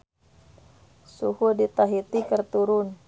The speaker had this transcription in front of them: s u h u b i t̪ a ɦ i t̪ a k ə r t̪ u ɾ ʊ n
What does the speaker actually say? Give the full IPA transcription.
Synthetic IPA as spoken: s u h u d i t̪ a ɦ i t̪ i k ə r t̪ u ɾ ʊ n